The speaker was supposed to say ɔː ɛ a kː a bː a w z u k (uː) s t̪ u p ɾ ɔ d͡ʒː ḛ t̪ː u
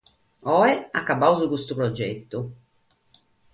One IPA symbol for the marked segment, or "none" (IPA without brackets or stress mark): u